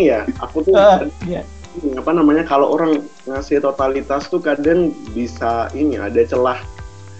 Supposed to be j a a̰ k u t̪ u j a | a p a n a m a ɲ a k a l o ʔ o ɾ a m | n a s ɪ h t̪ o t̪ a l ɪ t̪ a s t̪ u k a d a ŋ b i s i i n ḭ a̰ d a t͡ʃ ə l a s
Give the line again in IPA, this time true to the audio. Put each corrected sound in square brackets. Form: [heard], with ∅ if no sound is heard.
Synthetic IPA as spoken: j a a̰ k u t̪ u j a | a p a n a m a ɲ a k a l o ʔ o ɾ a [ŋ] | [ŋ] a s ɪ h t̪ o t̪ a l [i] t̪ a s t̪ u k a d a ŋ b i s [a] i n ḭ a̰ d a t͡ʃ ə l a [h]